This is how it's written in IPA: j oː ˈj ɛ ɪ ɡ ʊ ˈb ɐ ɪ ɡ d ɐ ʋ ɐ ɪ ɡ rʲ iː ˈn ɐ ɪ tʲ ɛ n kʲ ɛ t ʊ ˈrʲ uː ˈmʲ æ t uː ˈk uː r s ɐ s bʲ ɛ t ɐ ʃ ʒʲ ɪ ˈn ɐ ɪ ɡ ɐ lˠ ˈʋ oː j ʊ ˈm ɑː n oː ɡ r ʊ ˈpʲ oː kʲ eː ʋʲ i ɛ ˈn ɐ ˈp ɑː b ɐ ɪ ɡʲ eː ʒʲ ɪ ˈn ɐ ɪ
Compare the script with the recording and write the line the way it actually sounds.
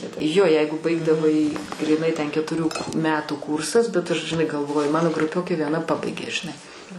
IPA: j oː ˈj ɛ ɪ ɡ ʊ ˈb ɐ ɪ ɡ d ɐ ʋ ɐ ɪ ɡ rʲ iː ˈn ɐ ɪ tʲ ɛ n kʲ ɛ t ʊ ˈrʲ uː ˈmʲ æː t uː ˈk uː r s ɐ s bʲ ɛ t ɐ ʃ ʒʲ ɪ ˈn ɐ ɪ ɡ ɐ lˠ ˈʋ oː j ʊ ˈm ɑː n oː ɡ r ʊ ˈpʲ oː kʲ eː ʋʲ i ɛ ˈn ɐ ˈp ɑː b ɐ ɪ ɡʲ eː ʒʲ ɪ ˈn ɐ ɪ